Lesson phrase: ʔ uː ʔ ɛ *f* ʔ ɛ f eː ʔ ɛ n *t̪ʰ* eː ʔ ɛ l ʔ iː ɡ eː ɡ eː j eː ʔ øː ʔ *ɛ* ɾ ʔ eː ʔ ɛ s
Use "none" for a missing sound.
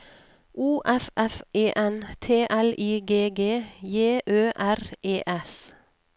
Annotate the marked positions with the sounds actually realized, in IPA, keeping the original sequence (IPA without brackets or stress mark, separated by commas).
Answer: f, t̪ʰ, æ